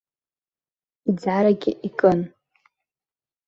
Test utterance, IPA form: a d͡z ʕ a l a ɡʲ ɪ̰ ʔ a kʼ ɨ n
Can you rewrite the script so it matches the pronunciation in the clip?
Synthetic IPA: i d͡z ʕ a ɾ a ɡʲ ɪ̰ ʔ i kʼ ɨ n